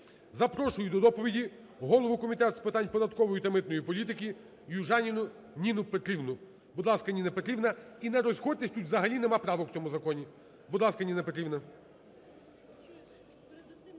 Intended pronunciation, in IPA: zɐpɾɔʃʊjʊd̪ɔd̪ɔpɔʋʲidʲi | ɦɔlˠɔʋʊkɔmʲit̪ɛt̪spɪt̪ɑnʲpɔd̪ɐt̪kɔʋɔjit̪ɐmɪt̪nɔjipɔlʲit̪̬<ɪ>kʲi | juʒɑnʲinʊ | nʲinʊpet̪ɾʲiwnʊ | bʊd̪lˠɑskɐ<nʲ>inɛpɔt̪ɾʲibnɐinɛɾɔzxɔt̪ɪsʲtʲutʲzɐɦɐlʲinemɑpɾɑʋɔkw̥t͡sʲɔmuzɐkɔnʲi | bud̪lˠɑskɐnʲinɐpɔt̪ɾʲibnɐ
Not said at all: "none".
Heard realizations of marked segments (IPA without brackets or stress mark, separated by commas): ɪ, nʲ